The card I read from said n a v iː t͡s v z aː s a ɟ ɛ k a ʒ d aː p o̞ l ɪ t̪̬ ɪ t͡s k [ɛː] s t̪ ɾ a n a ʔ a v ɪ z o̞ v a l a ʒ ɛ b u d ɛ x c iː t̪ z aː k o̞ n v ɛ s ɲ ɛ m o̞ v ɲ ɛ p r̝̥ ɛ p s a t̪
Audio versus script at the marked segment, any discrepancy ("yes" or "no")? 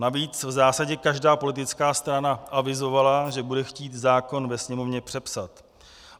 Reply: yes